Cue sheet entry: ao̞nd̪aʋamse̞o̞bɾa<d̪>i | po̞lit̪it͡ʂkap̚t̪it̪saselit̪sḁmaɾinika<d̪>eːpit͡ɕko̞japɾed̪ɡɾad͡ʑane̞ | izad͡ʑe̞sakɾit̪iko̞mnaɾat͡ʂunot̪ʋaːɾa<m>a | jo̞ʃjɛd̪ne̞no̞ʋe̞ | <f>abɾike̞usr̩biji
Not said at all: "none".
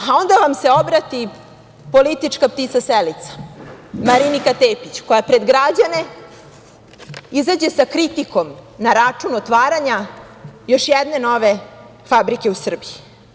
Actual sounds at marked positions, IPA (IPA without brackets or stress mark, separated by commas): t̪, t̪, ɲ, f